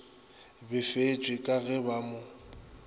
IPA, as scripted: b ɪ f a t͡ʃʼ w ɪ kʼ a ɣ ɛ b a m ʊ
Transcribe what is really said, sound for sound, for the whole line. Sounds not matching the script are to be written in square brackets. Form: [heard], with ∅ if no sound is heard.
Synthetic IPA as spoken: b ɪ f [e] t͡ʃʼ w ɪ kʼ a ɣ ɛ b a m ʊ